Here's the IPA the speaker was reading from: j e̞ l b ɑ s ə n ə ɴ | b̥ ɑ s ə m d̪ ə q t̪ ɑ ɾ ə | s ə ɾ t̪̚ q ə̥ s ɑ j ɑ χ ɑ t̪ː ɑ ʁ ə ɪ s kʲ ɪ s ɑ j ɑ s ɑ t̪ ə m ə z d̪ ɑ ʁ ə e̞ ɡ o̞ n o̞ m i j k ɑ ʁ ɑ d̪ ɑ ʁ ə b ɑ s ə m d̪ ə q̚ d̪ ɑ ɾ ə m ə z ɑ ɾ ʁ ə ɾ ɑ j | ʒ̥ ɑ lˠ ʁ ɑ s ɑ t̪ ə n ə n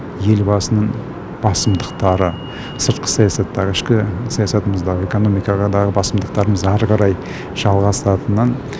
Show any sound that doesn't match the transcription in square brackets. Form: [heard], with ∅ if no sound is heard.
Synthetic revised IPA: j e̞ l b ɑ s ə n ə ɴ | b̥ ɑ s ə m d̪ ə q t̪ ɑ ɾ ə | s ə ɾ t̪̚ q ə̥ s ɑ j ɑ [s] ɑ t̪ː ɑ ʁ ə ɪ [ʃ] kʲ ɪ s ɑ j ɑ s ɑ t̪ ə m ə z d̪ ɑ ʁ ə e̞ [k] o̞ n o̞ m i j k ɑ ʁ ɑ d̪ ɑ ʁ ə b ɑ s ə m d̪ ə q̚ [t̪] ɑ ɾ ə m ə z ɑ ɾ ʁ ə ɾ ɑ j | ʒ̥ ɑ lˠ ʁ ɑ s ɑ t̪ ə n [ɑ] n